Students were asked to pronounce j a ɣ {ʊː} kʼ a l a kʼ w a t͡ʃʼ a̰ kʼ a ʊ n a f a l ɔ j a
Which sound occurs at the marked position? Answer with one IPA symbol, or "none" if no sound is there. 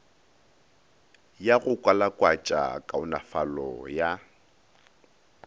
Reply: ʊ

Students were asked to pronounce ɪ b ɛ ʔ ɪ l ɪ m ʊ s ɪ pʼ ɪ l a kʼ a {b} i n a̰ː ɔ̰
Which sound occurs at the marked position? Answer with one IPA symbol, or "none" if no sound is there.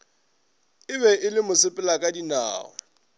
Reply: d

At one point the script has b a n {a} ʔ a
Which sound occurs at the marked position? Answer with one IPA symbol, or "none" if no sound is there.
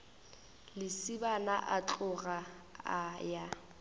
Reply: a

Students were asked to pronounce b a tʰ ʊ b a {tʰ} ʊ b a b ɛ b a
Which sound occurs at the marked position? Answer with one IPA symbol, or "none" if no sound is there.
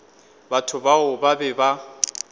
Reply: none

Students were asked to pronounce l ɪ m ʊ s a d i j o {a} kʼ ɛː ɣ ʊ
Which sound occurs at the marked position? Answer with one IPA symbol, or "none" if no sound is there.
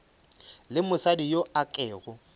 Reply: a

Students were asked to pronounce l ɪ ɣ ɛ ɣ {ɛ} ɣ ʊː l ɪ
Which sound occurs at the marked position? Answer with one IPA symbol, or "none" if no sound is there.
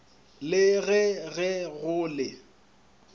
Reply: ɛ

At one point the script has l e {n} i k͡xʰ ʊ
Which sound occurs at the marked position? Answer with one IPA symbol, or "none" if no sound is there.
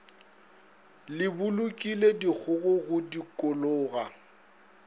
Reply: d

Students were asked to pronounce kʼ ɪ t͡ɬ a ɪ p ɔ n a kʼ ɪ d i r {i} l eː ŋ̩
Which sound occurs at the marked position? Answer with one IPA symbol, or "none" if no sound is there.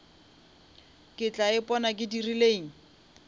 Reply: i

